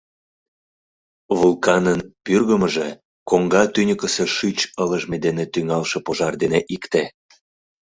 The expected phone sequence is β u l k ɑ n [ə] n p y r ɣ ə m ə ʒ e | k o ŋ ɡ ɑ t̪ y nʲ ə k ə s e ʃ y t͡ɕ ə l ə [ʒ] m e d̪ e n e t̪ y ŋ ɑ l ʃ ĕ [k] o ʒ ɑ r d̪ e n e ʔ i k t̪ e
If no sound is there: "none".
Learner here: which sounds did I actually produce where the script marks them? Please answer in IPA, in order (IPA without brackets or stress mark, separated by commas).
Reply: ə, ʒ, p